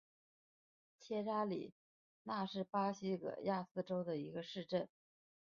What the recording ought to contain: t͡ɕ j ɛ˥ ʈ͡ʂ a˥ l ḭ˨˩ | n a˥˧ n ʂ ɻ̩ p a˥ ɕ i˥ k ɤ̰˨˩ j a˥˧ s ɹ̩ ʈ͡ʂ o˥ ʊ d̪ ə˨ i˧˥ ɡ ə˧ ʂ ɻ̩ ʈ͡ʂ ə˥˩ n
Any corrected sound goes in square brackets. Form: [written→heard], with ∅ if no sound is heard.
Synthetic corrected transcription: [t͡ɕ→t͡ɕʰ] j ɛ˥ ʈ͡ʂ a˥ l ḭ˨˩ | n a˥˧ [n→∅] ʂ ɻ̩ p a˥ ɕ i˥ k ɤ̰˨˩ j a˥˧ s ɹ̩ ʈ͡ʂ o˥ ʊ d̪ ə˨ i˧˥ ɡ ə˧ ʂ ɻ̩ ʈ͡ʂ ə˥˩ n